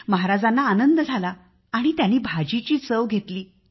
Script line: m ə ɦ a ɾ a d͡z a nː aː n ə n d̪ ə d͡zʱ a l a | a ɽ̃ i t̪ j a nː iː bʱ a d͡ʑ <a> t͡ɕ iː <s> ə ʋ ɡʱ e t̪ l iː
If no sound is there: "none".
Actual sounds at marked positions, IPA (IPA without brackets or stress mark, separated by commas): i, t͡s